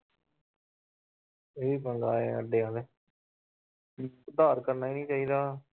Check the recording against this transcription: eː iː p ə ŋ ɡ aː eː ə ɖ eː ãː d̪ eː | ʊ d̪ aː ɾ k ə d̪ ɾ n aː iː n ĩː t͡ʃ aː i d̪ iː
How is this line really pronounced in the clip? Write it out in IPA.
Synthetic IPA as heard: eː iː p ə ŋ ɡ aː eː ə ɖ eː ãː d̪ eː | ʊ d̪ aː ɾ k ə ɾ n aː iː n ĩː t͡ʃ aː iː d̪ aː